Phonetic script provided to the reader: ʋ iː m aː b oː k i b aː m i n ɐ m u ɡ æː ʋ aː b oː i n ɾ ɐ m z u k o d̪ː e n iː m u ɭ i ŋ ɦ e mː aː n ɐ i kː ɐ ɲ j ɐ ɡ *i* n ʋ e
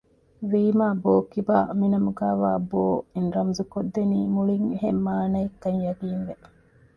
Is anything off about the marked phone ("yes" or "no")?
yes